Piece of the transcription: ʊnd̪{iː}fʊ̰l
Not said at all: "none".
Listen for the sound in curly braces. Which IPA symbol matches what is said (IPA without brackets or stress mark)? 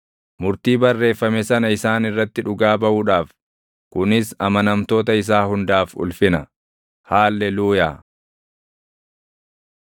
aː